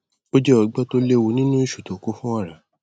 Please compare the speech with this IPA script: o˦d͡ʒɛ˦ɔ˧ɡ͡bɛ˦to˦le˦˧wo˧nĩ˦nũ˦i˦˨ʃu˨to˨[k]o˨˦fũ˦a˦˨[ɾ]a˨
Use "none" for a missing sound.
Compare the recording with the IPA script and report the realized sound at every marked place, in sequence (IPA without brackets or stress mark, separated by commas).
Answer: k, ɾ